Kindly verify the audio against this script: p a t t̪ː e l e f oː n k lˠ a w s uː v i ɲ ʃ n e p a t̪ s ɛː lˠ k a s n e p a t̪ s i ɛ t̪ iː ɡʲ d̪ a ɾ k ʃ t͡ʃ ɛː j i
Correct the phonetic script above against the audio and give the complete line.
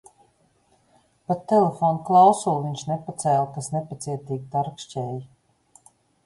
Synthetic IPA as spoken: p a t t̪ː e l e f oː n k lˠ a w s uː v i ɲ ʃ n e p a t̪ s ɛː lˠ k a s n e p a t̪ s i ɛ t̪ iː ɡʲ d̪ a ɾ k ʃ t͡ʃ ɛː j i